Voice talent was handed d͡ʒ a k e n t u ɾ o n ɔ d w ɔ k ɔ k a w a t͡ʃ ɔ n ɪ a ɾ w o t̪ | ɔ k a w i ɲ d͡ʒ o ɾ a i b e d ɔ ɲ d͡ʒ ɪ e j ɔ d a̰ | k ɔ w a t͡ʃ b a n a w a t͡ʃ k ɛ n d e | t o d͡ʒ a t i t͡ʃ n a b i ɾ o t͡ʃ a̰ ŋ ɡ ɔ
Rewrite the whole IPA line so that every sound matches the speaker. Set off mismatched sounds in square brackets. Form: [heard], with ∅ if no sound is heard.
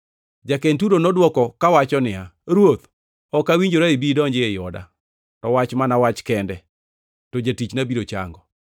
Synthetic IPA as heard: d͡ʒ a k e n t u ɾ o n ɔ d w ɔ k ɔ k a w a t͡ʃ ɔ n ɪ a ɾ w o t̪ | ɔ k a w i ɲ d͡ʒ o ɾ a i b [i] d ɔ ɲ d͡ʒ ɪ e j ɔ d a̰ | [t] ɔ w a t͡ʃ [m] a n a w a t͡ʃ k ɛ n d [ɛ] | t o d͡ʒ a t i t͡ʃ n a b i ɾ o t͡ʃ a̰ ŋ ɡ ɔ